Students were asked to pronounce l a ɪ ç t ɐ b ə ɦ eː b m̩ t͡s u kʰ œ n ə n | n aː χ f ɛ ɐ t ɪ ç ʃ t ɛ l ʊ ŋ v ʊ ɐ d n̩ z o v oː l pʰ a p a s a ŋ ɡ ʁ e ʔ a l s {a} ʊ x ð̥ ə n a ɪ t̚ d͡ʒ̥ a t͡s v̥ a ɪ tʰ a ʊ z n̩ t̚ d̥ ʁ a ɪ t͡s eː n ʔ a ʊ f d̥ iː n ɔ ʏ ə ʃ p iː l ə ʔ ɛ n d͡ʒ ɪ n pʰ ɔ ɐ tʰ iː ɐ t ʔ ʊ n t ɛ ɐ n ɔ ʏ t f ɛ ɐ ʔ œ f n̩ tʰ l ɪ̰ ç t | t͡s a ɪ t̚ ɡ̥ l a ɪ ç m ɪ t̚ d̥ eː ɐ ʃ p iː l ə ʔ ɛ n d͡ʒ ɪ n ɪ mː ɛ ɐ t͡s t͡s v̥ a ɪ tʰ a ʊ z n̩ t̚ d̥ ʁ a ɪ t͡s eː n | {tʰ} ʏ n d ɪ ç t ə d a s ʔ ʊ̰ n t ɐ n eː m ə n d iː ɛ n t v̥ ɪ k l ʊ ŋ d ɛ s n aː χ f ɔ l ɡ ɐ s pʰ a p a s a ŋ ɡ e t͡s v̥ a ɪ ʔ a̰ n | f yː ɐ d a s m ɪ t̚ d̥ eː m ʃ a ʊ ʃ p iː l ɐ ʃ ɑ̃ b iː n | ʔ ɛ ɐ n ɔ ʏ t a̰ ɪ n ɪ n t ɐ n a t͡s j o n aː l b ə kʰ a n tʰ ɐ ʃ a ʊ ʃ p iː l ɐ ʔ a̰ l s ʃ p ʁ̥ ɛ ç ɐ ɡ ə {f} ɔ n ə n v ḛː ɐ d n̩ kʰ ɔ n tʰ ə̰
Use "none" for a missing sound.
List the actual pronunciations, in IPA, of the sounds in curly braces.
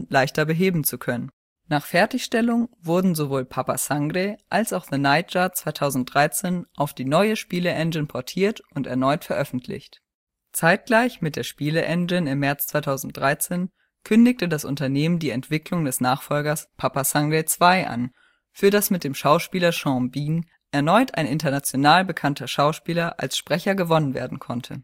a, kʰ, v

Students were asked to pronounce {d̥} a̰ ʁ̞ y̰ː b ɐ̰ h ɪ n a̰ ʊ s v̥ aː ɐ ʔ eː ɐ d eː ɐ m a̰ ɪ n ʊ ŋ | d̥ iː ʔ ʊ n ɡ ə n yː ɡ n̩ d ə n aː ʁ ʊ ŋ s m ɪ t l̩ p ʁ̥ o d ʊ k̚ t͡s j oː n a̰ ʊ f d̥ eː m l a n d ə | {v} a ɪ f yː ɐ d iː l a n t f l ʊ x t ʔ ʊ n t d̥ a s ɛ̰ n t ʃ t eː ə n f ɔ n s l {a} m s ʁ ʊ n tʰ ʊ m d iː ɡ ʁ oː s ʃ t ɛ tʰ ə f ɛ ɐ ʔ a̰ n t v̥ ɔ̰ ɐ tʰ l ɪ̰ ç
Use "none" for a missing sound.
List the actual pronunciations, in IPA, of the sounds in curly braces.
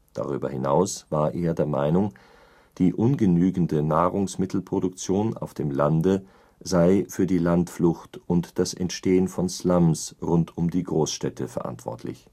d̥, z, a

